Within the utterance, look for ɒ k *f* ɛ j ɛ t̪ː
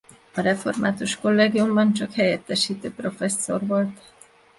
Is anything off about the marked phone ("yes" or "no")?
yes